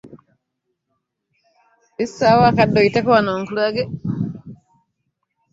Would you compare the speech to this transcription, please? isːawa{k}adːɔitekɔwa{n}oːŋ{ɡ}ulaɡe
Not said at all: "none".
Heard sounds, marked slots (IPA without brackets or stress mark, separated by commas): k, n, k